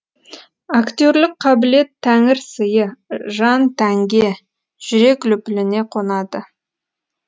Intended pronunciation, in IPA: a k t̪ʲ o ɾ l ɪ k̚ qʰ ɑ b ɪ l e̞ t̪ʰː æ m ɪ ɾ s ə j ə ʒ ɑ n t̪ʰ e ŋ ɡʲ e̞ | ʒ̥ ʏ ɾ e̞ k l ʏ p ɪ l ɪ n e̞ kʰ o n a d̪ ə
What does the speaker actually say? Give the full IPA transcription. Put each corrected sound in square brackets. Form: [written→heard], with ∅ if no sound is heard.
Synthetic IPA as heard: a k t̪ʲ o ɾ l ɪ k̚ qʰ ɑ b ɪ l e̞ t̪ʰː æ [m→ŋ] ɪ ɾ s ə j ə ʒ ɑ n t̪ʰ [e→æ] ŋ ɡʲ e̞ | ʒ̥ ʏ ɾ e̞ k l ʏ p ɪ l ɪ n e̞ [kʰ→qʰ] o n [a→ɑ] d̪ ə